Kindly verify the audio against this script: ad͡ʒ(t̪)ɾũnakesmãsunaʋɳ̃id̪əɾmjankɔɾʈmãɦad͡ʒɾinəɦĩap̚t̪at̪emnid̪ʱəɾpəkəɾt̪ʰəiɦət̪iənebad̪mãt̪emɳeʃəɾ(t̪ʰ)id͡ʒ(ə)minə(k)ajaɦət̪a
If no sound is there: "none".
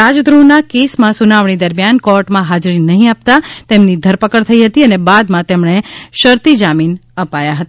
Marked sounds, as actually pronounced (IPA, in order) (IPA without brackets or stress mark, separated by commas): d̪, t̪, a, p